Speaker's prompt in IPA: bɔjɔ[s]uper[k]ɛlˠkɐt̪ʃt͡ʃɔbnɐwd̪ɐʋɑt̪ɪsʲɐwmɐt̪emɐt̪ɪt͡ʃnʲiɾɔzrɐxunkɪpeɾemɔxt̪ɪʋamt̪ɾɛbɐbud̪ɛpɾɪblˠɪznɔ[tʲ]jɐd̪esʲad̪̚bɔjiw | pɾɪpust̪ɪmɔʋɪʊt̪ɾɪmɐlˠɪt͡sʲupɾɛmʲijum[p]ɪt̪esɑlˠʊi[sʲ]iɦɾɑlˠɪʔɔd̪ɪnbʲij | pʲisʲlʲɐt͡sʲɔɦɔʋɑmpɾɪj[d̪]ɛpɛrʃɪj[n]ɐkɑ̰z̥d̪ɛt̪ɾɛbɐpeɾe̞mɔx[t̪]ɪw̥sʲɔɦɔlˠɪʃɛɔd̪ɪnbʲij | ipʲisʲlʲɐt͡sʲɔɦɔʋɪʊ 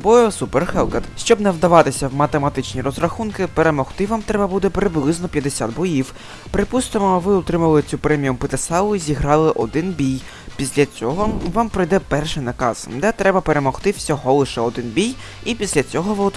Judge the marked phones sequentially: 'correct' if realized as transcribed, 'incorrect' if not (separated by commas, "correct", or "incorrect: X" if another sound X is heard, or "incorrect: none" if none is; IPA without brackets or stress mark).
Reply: correct, incorrect: x, incorrect: pʲ, correct, incorrect: zʲ, correct, correct, correct